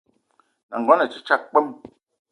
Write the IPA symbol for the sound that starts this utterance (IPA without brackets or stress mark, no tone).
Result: n